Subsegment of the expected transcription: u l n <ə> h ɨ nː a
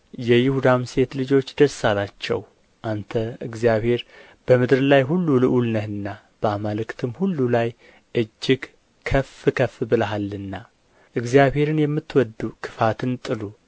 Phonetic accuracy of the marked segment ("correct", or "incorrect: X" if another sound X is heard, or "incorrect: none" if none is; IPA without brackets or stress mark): correct